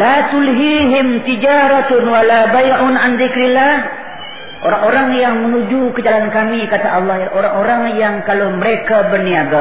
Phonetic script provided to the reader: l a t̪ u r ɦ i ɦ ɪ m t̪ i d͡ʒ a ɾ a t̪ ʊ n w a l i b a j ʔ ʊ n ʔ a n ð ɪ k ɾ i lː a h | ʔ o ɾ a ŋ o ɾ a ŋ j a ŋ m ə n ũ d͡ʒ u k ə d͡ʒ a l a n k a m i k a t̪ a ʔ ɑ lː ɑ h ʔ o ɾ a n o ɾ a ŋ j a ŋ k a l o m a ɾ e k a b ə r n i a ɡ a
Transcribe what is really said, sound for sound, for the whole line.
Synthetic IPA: l a t̪ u l ɦ i ɦ ɪ m t̪ i d͡ʒ a ɾ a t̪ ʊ n w a l a b a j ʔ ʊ n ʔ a n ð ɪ k ɾ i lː a h | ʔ o ɾ a ŋ o ɾ a ŋ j a ŋ m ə n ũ d͡ʒ u k ə d͡ʒ a l a n k a m i k a t̪ a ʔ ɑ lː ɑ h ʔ o ɾ a ŋ o ɾ a ŋ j a ŋ k a l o m ə ɾ e k a b ə r n i a ɡ a